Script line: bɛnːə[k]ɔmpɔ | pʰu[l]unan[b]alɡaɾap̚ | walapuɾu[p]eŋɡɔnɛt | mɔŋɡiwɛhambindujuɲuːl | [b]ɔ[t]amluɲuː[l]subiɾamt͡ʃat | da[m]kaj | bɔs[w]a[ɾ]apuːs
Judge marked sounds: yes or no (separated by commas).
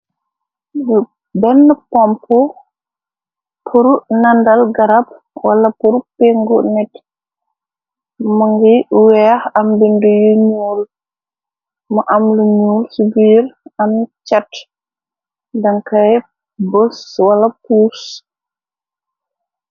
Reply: no, no, no, yes, no, no, yes, no, yes, no